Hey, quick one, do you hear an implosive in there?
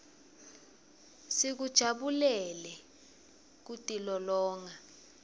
yes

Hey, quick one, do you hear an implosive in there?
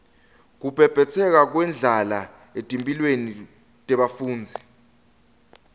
yes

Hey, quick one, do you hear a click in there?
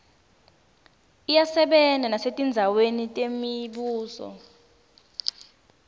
no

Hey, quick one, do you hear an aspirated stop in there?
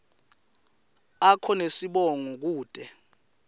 yes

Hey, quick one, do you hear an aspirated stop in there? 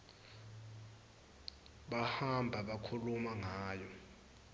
yes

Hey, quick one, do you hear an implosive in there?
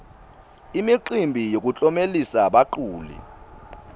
yes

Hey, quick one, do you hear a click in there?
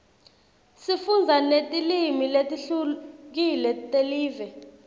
no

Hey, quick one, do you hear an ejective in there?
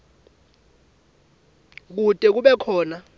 yes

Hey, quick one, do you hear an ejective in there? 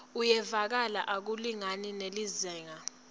no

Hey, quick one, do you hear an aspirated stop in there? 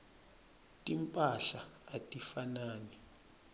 no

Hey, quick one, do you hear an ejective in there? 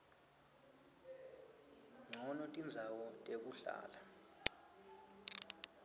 yes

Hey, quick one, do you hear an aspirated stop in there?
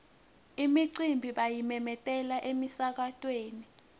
no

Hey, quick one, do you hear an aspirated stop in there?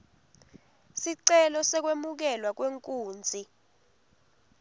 no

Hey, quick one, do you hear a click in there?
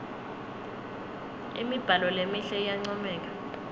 yes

